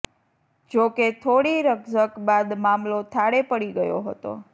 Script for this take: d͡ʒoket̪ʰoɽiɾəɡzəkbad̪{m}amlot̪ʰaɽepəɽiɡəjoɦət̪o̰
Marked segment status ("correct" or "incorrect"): correct